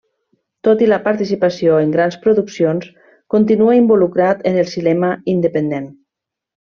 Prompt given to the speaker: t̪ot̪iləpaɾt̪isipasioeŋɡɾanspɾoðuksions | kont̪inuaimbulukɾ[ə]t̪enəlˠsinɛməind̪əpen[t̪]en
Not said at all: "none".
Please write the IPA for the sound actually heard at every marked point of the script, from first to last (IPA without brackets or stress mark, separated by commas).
a, d̪